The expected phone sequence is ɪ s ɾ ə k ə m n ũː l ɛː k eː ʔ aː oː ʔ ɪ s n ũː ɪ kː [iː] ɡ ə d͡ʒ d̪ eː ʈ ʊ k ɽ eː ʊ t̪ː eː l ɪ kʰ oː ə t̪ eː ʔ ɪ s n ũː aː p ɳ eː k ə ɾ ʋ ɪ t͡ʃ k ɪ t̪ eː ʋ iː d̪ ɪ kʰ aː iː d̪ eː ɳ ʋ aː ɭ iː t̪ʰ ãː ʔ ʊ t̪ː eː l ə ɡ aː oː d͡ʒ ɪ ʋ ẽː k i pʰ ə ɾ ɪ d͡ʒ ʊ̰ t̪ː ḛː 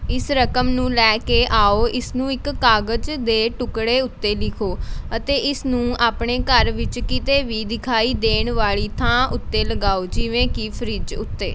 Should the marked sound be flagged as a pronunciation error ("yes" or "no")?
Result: yes